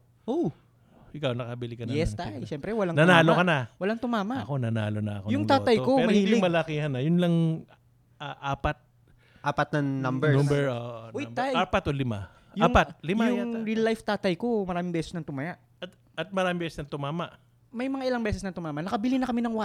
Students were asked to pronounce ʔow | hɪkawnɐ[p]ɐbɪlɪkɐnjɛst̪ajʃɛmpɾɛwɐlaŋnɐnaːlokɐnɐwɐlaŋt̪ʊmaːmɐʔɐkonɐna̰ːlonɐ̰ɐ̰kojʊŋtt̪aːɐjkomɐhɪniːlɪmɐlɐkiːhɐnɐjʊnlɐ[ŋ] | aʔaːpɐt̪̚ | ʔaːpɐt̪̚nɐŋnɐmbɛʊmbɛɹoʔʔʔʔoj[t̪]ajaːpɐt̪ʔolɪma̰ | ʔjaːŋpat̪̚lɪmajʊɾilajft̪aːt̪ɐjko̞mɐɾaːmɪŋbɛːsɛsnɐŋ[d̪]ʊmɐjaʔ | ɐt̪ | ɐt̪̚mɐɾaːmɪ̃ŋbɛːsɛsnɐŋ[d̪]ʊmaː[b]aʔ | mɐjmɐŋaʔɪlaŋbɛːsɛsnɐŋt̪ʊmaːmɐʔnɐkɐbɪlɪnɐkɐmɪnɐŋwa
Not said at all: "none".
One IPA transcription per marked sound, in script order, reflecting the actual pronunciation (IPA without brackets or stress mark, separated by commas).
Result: k, ŋ, t̪, t̪, t̪, m